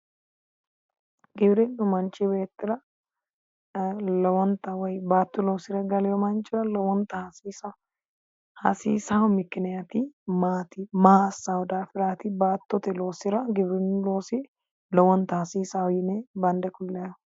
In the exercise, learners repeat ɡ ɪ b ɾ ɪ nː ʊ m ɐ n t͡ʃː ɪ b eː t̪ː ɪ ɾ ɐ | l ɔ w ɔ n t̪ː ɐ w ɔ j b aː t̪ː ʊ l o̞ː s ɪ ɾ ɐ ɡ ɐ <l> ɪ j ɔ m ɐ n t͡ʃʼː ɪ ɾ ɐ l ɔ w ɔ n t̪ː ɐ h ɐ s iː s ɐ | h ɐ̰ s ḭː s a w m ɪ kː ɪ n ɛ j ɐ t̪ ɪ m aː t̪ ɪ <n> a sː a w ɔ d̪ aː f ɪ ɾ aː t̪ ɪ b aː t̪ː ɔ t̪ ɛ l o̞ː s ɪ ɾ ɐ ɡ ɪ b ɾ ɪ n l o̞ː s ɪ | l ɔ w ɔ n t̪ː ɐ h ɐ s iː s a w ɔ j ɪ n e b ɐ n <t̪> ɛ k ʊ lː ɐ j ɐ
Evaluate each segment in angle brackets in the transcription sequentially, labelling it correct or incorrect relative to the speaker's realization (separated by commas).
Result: correct, incorrect, incorrect